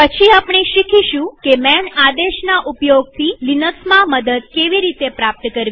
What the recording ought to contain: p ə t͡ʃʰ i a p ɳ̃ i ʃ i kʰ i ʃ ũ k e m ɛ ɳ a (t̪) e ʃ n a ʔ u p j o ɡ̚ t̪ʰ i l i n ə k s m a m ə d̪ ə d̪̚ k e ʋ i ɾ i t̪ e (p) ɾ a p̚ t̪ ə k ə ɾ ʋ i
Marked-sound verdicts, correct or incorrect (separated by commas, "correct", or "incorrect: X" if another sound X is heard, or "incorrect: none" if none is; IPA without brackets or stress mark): incorrect: d̪, correct